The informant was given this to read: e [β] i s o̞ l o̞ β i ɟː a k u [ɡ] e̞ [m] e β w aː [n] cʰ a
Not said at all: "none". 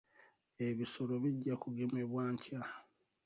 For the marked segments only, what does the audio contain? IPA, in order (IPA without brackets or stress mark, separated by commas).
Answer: β, ɡ, m, ɲ